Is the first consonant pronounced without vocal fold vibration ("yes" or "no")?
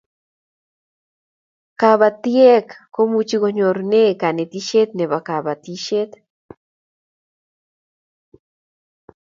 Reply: yes